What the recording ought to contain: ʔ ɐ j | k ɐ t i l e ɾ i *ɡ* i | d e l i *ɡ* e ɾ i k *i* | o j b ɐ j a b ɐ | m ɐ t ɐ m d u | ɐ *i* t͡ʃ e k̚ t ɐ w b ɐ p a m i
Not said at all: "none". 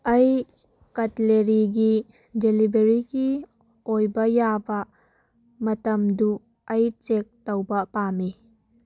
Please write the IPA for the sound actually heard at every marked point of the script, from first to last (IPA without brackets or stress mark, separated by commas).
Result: ɡ, b, i, j